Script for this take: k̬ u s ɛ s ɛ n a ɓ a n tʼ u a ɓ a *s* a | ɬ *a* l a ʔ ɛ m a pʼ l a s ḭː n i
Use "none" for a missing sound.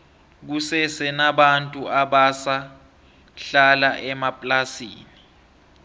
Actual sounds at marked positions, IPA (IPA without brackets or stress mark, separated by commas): s, a